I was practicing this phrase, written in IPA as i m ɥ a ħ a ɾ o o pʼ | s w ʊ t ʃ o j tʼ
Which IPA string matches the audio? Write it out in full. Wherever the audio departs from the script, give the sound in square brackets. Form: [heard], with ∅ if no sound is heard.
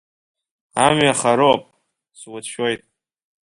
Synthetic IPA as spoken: [a] m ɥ a [χ] a ɾ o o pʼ | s w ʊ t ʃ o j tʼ